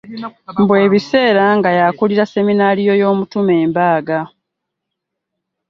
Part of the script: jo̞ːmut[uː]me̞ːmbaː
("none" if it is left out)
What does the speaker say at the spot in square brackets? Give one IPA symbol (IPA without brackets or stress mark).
u